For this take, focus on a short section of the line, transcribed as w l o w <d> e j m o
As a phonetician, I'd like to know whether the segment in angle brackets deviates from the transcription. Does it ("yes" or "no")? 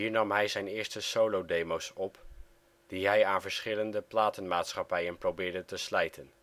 no